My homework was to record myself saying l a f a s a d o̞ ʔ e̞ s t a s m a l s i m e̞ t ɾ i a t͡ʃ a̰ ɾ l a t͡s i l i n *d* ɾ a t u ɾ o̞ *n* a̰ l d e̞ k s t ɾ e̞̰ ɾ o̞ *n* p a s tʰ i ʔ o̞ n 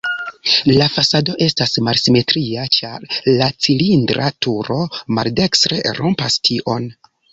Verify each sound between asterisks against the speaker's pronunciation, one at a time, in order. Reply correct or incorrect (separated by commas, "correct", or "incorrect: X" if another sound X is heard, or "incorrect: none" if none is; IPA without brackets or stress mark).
correct, incorrect: m, incorrect: m